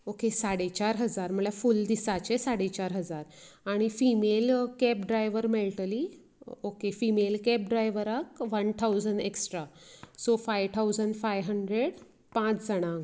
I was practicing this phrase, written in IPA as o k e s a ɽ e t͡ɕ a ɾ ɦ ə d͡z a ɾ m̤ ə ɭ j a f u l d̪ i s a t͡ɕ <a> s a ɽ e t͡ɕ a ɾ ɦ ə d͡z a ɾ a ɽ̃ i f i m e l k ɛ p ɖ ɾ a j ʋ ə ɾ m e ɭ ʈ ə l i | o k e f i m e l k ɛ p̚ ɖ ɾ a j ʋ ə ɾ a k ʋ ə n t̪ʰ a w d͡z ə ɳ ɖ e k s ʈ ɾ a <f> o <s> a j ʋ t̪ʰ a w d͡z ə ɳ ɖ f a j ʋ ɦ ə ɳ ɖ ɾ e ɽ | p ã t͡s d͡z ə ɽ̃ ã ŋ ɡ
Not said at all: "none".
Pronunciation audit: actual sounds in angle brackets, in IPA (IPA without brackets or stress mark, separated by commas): e, s, f